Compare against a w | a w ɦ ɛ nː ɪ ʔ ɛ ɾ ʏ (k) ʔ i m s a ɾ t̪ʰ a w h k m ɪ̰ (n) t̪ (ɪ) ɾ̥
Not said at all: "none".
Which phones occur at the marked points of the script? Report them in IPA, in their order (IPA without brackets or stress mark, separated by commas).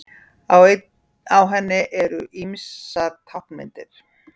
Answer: none, n, ɪ